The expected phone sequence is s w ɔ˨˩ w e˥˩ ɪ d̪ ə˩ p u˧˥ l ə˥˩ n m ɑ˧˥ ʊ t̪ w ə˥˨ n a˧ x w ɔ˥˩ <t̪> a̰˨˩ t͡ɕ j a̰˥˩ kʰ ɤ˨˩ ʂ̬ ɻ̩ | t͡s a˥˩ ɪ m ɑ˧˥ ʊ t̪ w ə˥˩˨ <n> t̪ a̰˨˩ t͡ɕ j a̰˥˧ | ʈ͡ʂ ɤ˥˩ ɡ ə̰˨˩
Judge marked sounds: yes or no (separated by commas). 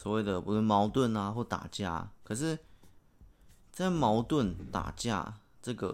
yes, yes